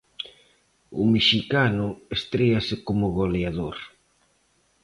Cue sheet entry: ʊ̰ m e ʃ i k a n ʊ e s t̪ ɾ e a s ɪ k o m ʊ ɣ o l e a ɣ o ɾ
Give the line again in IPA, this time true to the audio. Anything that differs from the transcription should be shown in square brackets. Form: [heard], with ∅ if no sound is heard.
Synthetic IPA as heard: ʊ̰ m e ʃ i k a n ʊ e s t̪ ɾ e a s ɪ k o m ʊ ɣ o l e a [ð] o ɾ